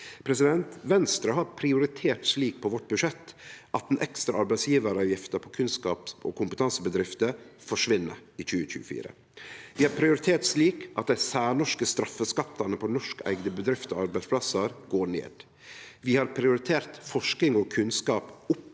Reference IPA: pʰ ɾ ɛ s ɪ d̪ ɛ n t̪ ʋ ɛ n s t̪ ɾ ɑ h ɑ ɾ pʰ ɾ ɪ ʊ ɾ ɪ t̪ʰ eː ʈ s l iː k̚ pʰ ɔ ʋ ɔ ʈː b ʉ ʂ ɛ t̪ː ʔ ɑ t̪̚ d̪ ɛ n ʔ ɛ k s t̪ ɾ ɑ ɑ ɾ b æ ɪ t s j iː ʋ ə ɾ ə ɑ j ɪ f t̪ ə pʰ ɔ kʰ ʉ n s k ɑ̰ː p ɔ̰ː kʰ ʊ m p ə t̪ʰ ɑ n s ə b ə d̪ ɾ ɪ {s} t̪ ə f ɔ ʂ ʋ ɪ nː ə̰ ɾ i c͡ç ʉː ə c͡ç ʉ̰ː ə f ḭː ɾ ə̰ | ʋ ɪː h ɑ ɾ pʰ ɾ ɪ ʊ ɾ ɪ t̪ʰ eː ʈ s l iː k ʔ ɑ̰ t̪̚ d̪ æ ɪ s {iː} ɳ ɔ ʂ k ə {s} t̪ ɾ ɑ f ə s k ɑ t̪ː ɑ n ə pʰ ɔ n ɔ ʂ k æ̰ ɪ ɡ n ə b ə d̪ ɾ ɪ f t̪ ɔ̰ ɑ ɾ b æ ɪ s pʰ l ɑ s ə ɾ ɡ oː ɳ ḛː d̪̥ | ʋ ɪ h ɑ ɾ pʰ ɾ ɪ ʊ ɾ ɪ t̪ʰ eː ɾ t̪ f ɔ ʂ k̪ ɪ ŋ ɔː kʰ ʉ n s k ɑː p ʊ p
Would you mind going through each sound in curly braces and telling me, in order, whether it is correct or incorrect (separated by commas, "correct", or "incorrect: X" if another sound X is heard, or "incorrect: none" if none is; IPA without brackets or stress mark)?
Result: incorrect: f, incorrect: æː, correct